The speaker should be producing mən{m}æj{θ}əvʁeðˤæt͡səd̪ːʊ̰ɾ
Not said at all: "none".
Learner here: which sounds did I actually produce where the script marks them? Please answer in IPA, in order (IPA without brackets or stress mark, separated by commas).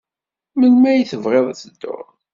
m, θ